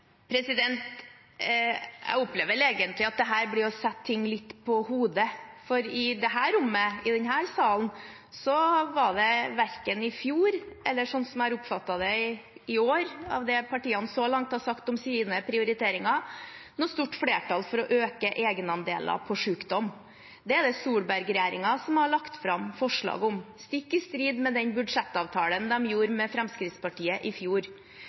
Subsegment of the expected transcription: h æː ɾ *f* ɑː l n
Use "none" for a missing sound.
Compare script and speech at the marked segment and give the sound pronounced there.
s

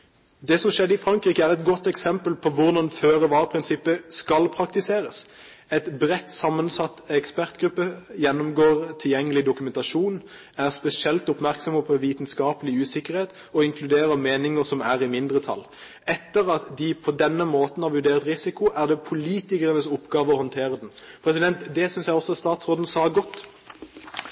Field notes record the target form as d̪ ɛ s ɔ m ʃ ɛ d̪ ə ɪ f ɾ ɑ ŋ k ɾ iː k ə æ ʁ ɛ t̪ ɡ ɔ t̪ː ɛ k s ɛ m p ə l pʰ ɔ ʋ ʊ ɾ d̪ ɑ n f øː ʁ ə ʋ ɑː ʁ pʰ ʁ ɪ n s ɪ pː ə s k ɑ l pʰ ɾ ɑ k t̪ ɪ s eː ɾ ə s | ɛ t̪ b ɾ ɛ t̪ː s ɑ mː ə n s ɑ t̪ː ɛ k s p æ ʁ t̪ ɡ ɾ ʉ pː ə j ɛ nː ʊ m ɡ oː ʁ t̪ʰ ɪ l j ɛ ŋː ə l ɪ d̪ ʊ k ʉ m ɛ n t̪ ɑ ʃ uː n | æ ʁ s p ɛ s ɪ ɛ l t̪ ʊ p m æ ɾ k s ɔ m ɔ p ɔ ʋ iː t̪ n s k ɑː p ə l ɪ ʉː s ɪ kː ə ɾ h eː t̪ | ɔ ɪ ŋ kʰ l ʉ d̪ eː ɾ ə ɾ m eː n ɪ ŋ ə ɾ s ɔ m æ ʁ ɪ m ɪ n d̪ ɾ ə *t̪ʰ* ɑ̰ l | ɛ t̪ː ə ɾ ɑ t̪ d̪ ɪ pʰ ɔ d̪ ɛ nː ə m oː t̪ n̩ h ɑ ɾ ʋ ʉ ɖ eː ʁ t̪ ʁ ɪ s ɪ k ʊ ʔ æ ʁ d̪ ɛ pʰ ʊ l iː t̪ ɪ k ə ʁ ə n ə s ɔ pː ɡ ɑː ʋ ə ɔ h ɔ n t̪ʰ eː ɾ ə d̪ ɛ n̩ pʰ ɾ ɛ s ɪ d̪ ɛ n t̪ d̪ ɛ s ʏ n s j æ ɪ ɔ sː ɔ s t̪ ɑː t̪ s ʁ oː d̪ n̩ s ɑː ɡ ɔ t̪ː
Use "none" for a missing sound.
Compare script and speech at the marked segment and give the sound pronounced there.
t̪ʰ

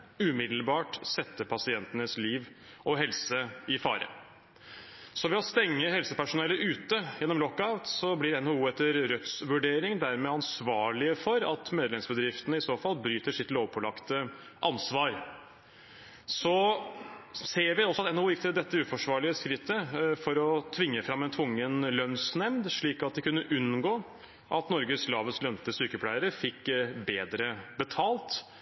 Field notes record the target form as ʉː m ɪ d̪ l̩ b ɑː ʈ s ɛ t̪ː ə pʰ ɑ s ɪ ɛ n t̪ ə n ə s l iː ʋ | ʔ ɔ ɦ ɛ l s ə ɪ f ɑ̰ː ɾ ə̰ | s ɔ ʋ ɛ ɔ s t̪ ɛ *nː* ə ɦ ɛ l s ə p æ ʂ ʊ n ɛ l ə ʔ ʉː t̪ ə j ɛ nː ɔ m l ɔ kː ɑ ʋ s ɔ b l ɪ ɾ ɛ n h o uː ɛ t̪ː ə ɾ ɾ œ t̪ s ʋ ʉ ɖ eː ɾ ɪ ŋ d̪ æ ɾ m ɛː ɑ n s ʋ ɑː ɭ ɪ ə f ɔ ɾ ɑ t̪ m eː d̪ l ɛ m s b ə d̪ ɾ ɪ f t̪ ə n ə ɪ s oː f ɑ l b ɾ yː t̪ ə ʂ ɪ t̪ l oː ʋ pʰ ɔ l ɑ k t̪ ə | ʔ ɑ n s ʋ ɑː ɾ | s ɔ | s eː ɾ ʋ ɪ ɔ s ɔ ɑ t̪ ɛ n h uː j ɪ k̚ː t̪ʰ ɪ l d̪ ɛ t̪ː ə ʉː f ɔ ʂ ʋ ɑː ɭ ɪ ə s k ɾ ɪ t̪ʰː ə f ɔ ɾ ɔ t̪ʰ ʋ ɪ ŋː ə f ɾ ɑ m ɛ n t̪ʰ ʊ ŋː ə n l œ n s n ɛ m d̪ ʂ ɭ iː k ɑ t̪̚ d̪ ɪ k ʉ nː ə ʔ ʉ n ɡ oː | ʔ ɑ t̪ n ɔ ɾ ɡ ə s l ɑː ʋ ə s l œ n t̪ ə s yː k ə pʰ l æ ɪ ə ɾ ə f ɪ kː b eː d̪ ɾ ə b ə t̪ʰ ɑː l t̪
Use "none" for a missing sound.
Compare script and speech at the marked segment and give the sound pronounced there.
ŋː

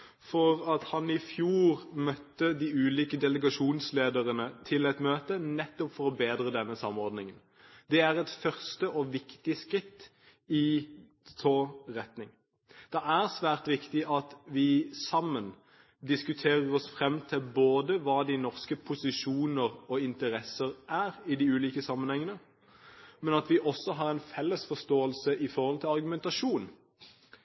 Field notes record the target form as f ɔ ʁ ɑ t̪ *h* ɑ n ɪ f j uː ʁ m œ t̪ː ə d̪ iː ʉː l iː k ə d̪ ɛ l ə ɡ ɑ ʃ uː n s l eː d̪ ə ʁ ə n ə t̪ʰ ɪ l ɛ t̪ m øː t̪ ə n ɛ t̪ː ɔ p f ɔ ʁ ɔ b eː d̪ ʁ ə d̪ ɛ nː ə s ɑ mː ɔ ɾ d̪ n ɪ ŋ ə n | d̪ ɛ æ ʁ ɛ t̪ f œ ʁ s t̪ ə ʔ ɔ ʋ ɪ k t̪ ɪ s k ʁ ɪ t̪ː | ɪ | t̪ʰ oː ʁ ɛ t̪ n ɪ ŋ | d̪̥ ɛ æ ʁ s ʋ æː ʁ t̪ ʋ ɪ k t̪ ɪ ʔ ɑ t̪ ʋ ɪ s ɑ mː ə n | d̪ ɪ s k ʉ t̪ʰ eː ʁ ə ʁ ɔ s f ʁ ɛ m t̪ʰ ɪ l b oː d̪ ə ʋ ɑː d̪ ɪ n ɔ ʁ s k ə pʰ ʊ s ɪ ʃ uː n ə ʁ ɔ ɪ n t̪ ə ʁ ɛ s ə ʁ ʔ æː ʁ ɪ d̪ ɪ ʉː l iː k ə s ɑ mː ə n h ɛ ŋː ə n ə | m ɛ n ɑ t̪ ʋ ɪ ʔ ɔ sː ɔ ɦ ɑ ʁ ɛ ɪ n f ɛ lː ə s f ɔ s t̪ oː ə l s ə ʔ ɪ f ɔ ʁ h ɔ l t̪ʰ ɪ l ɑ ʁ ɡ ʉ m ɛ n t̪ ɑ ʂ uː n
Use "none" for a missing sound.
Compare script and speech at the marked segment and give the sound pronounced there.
h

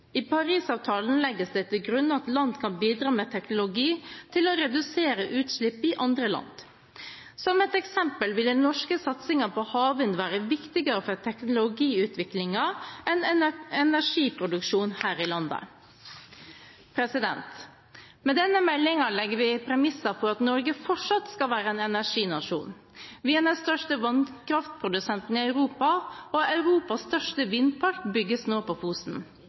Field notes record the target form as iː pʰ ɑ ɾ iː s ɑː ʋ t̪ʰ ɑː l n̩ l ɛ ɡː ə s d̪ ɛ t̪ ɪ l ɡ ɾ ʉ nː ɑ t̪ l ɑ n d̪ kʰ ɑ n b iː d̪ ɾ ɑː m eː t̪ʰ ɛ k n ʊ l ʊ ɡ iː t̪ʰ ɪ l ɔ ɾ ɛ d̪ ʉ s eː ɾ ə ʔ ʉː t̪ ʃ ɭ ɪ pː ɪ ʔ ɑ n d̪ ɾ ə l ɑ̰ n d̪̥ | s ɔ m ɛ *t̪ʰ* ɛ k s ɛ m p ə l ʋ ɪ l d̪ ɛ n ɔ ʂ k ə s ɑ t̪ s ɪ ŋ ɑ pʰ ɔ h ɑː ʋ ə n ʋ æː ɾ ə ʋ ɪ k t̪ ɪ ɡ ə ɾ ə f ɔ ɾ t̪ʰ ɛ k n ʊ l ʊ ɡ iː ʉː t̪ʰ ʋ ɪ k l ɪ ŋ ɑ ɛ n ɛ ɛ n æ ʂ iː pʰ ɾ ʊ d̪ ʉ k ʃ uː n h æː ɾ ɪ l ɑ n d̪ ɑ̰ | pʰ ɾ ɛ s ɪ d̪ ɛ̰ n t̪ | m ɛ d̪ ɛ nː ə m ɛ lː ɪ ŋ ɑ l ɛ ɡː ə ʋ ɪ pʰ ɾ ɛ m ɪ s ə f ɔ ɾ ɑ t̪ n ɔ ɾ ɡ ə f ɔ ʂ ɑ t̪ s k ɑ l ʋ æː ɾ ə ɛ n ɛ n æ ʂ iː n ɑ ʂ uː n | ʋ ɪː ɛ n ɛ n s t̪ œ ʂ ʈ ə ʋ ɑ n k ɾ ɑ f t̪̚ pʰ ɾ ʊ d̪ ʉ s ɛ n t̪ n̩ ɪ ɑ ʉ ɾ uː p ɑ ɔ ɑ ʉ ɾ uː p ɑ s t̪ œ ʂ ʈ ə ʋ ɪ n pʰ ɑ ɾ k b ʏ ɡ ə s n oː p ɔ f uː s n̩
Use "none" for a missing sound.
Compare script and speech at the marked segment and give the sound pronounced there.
t̪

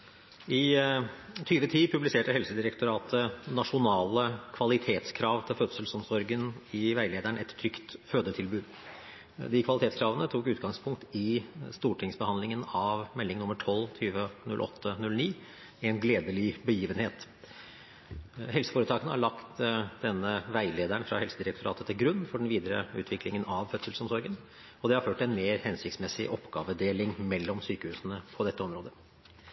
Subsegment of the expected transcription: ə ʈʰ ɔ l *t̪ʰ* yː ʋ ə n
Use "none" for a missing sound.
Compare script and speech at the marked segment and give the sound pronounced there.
t̪ʰ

